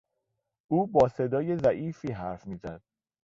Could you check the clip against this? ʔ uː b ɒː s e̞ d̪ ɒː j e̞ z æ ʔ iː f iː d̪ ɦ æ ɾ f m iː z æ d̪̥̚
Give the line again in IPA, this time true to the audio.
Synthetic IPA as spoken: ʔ uː b ɒː s e̞ d̪ ɒː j e̞ z æ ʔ iː f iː ɦ æ ɾ f m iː z æ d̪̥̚